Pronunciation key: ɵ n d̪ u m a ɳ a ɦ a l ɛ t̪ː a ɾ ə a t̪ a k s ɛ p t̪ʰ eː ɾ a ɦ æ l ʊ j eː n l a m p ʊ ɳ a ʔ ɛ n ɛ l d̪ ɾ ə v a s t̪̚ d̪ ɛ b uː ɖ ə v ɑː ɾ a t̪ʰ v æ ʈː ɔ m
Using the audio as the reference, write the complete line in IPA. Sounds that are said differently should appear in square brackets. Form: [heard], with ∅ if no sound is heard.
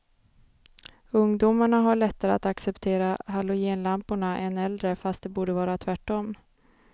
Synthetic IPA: ɵ [ŋ] d̪ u m a ɳ a ɦ a [ɭ] ɛ t̪ː a ɾ ə a t̪ a k s ɛ p t̪ʰ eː ɾ a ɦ [a] l ʊ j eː n l a m p ʊ ɳ a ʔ ɛ n ɛ l d̪ ɾ ə [f] a s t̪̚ d̪ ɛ b uː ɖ ə v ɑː ɾ a t̪ʰ v æ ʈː ɔ m

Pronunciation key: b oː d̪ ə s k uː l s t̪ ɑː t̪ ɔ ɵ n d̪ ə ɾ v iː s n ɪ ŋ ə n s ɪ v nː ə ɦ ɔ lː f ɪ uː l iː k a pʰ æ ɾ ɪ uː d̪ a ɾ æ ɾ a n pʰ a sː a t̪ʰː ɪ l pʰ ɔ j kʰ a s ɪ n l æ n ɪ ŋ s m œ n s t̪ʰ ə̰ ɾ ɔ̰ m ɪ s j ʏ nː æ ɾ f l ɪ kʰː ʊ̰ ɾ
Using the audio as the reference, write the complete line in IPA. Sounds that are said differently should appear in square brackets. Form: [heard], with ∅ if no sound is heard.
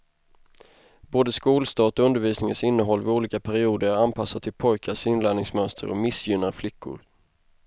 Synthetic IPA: b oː d̪ ə s k uː l s t̪ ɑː t̪ ɔ ɵ n d̪ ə ɾ v iː s n ɪ ŋ ə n s ɪ [∅] nː ə ɦ ɔ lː [v] ɪ uː l iː k a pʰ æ ɾ ɪ uː d̪ [ə] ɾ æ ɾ a n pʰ a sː a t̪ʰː ɪ l pʰ ɔ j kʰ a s ɪ n l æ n ɪ ŋ s m œ n s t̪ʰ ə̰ ɾ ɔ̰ m ɪ s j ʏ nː [a] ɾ f l ɪ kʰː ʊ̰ ɾ

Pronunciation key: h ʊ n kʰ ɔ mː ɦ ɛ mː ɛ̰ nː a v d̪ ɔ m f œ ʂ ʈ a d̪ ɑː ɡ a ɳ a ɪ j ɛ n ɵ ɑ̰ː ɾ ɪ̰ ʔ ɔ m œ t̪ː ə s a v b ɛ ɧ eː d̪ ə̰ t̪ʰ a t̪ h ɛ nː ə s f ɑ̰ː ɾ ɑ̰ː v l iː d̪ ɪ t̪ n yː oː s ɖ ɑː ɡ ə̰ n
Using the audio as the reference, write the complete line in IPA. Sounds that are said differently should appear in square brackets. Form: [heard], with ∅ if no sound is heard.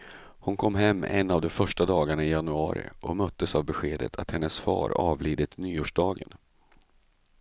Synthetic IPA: h ʊ n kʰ ɔ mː ɦ ɛ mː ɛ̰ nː a v d̪ ɔ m f œ ʂ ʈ a d̪ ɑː ɡ a ɳ a ɪ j [a] n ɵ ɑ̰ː ɾ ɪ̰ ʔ ɔ m œ t̪ː ə s a v b ɛ ɧ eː d̪ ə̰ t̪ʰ a t̪ h ɛ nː ə s f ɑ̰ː ɾ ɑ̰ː v l iː d̪ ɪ t̪ n yː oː [ʂ] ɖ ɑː ɡ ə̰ n

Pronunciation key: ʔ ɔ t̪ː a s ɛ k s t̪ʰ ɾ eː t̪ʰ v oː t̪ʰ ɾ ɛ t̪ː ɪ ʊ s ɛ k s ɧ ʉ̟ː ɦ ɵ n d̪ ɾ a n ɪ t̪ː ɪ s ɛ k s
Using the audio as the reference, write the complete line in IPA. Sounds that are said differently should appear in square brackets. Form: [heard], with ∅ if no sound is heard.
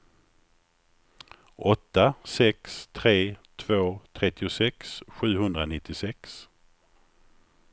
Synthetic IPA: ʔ ɔ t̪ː a s ɛ k s t̪ʰ ɾ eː t̪ʰ v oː t̪ʰ ɾ ɛ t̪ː ɪ ʊ s ɛ k s ɧ ʉ̟ː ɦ ɵ n d̪ ɾ a n ɪ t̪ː ɪ s ɛ k s

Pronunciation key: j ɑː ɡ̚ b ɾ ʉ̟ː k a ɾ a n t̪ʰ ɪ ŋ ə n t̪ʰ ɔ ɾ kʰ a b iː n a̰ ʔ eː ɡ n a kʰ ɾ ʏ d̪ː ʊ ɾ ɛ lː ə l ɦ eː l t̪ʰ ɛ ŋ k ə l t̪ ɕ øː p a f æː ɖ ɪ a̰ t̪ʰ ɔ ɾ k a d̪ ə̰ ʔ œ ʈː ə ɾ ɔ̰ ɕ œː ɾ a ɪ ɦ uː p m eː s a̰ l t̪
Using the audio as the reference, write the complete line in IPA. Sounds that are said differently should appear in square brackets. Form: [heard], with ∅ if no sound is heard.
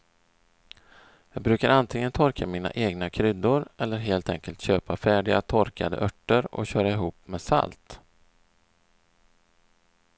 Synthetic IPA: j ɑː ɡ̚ b ɾ ʉ̟ː k a ɾ a n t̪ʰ ɪ ŋ ə n t̪ʰ ɔ ɾ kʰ a [m] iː n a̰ ʔ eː ɡ n a kʰ ɾ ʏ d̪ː ʊ ɾ ɛ lː ə [ɾ] ɦ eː l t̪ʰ ɛ ŋ k ə l t̪ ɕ øː p a f æː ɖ ɪ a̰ t̪ʰ ɔ ɾ k a d̪ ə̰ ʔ œ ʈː ə ɾ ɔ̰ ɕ œː ɾ a ɪ ɦ uː p m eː s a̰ l t̪

